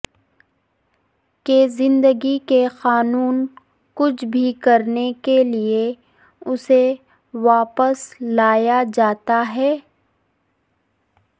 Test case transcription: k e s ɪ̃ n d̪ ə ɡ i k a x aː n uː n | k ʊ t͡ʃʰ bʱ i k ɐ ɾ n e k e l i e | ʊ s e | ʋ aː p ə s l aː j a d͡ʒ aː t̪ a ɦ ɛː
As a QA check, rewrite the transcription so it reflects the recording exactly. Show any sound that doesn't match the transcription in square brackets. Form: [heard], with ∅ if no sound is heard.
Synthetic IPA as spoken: k e [z] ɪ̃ n d̪ ə ɡ i k [e] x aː n uː n | k ʊ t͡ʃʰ bʱ i k ɐ ɾ n e k e l i e | ʊ s e | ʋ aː p ə s l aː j a d͡ʒ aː t̪ a ɦ ɛː